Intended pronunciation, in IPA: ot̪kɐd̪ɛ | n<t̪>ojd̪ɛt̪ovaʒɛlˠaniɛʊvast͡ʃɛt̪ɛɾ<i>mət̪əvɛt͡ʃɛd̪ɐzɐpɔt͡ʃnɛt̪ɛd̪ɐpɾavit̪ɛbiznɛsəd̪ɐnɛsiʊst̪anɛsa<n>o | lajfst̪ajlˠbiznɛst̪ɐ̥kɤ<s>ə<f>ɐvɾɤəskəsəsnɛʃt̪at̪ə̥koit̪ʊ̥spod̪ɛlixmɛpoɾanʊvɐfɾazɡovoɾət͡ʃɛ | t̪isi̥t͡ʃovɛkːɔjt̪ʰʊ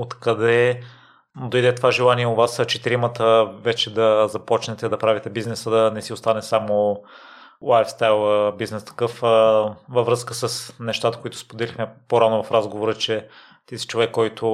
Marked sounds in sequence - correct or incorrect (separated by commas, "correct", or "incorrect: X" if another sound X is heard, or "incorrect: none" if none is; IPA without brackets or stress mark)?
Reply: incorrect: d̪, correct, incorrect: m, incorrect: f, incorrect: v